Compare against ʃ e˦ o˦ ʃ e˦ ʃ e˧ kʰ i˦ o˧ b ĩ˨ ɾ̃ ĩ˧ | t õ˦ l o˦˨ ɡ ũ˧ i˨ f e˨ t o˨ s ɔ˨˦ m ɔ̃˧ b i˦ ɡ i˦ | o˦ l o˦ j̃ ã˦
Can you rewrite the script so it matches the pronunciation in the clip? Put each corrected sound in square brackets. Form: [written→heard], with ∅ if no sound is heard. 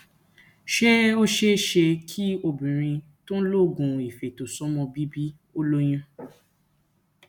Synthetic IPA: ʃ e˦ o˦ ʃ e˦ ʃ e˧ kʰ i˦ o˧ b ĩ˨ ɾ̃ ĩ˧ | t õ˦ l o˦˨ ɡ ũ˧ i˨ f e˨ t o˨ s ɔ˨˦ m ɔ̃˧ b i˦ [ɡ→b] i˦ | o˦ l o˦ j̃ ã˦